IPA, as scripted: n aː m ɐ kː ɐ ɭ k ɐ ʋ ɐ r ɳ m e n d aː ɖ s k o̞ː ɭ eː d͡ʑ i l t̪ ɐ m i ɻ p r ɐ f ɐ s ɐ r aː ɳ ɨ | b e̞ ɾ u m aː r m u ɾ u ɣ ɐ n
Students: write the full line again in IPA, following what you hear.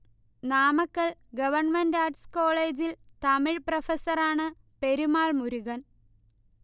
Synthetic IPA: n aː m ɐ kː ɐ ɭ ɡ ɐ ʋ ɐ r ɳ m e n d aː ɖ s k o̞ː ɭ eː d͡ʑ i l t̪ ɐ m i ɻ p r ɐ f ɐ s ɐ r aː ɳ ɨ | p e̞ ɾ u m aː ɭ m u ɾ u ɣ ɐ n